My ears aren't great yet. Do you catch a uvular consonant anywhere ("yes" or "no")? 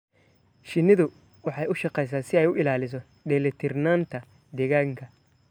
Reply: yes